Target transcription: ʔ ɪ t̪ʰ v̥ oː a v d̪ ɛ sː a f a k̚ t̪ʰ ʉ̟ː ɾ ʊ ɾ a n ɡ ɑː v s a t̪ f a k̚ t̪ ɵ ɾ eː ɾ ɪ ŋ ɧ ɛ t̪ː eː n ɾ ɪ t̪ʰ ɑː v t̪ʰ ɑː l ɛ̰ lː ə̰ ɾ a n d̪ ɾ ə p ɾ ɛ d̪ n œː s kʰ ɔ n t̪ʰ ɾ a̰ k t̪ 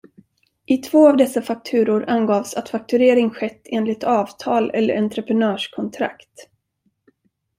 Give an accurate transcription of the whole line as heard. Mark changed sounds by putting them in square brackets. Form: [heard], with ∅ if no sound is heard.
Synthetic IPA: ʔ ɪ t̪ʰ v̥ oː a v d̪ ɛ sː a f a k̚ t̪ʰ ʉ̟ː ɾ ʊ ɾ a n ɡ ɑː v s a t̪ f a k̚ t̪ ɵ ɾ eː ɾ ɪ ŋ ɧ ɛ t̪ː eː n [l] ɪ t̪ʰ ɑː v t̪ʰ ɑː l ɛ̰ lː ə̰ ɾ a n [t̪] ɾ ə p ɾ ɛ [∅] n œː [ʂ] kʰ ɔ n t̪ʰ ɾ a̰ k t̪

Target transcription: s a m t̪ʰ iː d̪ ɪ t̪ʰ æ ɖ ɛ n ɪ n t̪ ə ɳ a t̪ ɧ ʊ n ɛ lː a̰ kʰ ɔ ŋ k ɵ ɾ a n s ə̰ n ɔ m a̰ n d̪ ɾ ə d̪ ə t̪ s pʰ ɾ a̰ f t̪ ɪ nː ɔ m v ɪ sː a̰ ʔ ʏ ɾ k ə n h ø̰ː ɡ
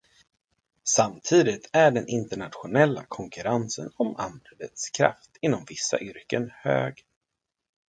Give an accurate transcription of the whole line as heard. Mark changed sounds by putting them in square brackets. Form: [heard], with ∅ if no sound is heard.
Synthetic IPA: s a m t̪ʰ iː d̪ ɪ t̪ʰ æ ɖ ɛ n ɪ n t̪ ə ɳ a t̪ ɧ ʊ n ɛ lː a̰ kʰ ɔ ŋ k ɵ ɾ a n s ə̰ n ɔ m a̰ n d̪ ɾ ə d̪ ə t̪ s [kʰ] ɾ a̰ f t̪ ɪ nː ɔ m v ɪ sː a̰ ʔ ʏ ɾ k ə n h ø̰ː ɡ

